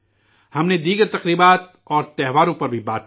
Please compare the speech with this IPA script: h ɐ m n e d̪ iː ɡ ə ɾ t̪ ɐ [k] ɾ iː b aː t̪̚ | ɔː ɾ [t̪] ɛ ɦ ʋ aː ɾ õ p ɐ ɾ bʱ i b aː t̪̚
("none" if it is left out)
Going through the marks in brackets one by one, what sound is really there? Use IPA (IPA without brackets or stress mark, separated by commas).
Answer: q, t̪